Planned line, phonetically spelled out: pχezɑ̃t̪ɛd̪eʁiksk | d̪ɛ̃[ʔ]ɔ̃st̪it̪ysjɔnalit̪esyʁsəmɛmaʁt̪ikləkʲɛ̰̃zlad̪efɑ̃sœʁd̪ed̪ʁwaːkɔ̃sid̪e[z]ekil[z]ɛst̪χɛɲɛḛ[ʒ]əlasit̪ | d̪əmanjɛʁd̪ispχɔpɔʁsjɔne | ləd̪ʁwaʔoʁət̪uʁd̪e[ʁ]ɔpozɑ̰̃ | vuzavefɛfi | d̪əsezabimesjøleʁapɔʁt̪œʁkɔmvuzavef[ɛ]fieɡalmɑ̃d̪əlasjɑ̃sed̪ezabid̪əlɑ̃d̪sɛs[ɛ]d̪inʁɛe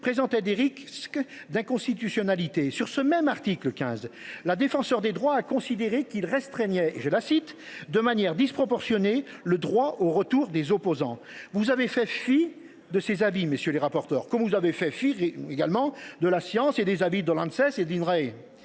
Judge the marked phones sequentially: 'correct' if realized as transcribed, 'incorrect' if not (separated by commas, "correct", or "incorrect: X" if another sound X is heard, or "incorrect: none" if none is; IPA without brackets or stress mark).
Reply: incorrect: k, incorrect: ʁ, incorrect: ʁ, correct, incorrect: z, correct, incorrect: e